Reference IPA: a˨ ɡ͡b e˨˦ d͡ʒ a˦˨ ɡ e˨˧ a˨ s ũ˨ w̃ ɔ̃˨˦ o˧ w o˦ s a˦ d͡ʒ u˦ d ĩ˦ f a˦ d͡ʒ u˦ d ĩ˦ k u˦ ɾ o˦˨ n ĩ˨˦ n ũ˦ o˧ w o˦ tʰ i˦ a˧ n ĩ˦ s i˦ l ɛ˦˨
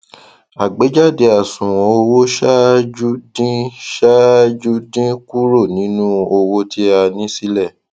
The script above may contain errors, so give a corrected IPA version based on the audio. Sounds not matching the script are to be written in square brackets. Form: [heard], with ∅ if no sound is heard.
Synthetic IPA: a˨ ɡ͡b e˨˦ d͡ʒ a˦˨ [d] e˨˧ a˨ s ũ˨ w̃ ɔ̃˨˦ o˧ w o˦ [ʃ] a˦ d͡ʒ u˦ d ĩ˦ [ʃ] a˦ d͡ʒ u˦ d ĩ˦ k u˦ ɾ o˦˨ n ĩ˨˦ n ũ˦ o˧ w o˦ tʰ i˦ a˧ n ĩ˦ s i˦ l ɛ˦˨